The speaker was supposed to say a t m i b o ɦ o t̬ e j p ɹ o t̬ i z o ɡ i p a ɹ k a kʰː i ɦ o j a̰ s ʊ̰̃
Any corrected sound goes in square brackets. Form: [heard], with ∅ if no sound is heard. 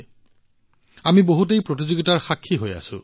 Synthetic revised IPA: a [∅] m i b o ɦ [u] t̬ e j p ɹ o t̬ i z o ɡ i [t] a ɹ [x] a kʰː i ɦ o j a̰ s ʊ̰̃